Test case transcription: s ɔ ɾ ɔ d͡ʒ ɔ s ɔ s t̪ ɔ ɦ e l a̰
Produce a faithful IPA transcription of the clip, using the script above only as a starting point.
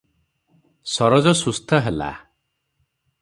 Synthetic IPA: s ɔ ɾ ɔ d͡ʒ ɔ s u s t̪ʰ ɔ ɦ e l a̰